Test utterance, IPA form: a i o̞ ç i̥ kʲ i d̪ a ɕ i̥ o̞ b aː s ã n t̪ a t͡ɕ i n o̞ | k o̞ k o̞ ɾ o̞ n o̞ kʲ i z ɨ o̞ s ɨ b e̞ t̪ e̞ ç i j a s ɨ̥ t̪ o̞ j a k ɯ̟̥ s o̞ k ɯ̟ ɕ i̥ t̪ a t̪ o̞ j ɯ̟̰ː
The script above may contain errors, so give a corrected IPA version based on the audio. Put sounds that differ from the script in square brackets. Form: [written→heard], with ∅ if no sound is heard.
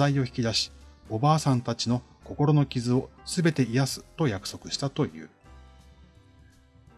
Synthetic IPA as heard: a i o̞ ç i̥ kʲ i d̪ a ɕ i̥ o̞ b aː s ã n t̪ a t͡ɕ i n o̞ | k o̞ k o̞ ɾ o̞ n o̞ kʲ i z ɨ o̞ s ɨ b e̞ t̪ e̞ [ç→∅] i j a s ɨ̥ t̪ o̞ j a k ɯ̟̥ s o̞ k ɯ̟ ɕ i̥ t̪ a t̪ o̞ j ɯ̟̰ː